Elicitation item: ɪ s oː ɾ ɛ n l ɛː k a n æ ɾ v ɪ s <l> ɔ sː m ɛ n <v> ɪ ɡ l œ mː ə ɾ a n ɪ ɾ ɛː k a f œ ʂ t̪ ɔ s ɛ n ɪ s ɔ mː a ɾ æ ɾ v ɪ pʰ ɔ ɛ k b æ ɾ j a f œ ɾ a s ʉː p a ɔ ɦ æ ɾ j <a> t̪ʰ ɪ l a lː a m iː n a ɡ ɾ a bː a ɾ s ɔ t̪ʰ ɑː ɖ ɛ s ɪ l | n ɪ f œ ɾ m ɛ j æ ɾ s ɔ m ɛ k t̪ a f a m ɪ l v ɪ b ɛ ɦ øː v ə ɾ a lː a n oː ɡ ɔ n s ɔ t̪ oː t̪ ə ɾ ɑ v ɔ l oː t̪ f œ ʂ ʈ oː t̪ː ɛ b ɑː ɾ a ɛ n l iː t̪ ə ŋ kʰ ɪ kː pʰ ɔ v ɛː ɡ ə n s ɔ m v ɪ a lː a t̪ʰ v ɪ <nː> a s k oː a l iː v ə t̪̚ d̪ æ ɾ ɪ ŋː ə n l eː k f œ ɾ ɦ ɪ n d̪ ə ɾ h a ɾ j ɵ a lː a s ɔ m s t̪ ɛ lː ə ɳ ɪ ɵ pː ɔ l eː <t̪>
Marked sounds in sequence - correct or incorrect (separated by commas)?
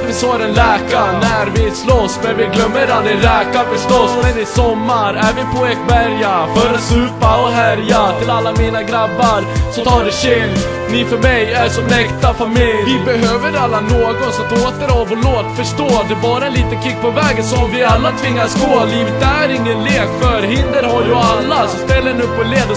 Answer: correct, correct, correct, incorrect, incorrect